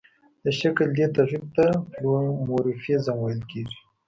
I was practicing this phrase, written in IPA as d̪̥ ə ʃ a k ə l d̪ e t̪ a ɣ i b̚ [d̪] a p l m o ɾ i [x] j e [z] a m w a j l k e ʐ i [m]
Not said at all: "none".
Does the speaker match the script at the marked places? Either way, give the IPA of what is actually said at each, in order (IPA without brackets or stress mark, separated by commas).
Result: t̪, f, z, none